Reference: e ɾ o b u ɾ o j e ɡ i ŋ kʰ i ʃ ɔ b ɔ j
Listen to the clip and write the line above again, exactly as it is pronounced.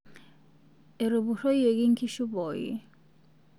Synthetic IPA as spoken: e ɾ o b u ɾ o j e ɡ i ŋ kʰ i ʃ u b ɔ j